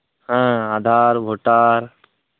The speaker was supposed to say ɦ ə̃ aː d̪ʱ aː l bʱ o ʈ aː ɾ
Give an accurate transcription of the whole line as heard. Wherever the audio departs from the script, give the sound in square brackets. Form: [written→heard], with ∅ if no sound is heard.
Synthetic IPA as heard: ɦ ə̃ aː d̪ʱ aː [l→ɾ] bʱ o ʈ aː ɾ